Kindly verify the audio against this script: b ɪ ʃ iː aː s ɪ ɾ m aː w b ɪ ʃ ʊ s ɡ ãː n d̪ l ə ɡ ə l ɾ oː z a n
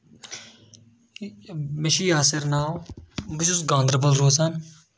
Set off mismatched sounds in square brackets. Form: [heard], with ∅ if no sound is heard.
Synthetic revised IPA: [m] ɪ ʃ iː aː s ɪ ɾ [n] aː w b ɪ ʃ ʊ s ɡ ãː n d̪ [ɾ] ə [b] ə l ɾ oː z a n